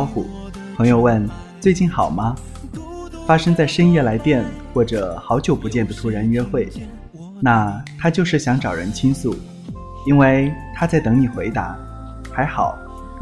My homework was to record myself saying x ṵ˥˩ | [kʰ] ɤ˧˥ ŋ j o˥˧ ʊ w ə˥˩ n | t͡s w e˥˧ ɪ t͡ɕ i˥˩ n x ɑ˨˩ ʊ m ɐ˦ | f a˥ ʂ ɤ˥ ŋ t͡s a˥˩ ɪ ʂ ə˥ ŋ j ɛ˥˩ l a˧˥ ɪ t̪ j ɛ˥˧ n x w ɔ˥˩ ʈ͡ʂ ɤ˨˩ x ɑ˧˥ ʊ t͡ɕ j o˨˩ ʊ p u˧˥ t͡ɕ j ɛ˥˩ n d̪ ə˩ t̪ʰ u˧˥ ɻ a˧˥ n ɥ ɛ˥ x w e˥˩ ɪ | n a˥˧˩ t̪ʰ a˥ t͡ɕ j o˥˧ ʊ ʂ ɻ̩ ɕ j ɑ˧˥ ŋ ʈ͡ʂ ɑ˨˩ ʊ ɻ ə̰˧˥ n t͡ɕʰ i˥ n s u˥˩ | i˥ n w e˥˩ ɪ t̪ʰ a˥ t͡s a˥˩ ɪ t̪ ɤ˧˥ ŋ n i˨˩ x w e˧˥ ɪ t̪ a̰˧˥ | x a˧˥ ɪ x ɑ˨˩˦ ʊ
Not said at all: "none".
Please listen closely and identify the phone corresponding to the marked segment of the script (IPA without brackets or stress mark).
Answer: pʰ